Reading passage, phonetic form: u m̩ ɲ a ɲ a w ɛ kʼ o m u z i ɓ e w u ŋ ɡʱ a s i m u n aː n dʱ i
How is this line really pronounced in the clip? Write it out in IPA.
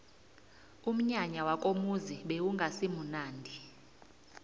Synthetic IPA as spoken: u m̩ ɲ a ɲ a w a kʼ o m u z i ɓ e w u ŋ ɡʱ a s i m u n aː n dʱ i